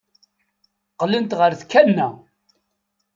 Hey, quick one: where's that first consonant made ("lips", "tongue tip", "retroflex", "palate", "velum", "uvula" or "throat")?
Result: uvula